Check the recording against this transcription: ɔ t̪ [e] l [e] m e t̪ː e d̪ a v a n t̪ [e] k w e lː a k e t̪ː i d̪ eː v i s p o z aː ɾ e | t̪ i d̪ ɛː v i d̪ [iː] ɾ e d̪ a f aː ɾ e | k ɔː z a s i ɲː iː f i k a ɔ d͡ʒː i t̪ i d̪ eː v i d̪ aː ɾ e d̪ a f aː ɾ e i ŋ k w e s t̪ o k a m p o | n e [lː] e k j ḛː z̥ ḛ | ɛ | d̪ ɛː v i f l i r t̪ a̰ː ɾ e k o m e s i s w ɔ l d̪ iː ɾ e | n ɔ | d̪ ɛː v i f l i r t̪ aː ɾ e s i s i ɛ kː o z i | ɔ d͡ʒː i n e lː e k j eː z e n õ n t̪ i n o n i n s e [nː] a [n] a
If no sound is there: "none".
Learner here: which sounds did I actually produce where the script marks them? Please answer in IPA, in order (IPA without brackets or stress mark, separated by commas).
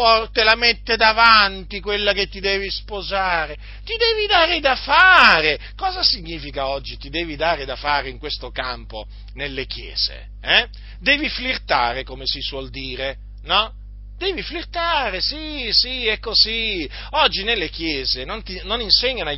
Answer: e, a, i, aː, lː, ɲː, n